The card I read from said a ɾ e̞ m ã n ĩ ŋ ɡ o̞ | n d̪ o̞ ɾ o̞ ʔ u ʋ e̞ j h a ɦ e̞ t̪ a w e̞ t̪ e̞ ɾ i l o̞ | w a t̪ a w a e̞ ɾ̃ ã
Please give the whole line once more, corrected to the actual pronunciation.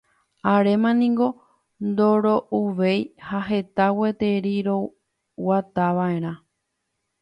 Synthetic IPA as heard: a ɾ e̞ m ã n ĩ ŋ ɡ o̞ | n d̪ o̞ ɾ o̞ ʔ u ʋ e̞ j h a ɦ e̞ t̪ a w e̞ t̪ e̞ ɾ i ɾ o̞ | w a t̪ a ʋ a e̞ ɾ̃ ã